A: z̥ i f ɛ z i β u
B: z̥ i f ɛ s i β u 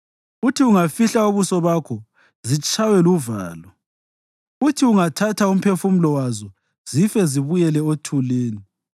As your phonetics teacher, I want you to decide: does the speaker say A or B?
A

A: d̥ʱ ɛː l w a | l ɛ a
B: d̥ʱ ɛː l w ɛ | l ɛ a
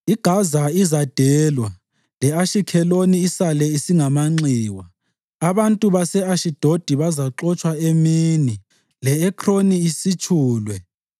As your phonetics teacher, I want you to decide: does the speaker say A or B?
A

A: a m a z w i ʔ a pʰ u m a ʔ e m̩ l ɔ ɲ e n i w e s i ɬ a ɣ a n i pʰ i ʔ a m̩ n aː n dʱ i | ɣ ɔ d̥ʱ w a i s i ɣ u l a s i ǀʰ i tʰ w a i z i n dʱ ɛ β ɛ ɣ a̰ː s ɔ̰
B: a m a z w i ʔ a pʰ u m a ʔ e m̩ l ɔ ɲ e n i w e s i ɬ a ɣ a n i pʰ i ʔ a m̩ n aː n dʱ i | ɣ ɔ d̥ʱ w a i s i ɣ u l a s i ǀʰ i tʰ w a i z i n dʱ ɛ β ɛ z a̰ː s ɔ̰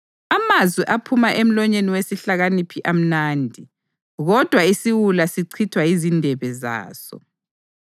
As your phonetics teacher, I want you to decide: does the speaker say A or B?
B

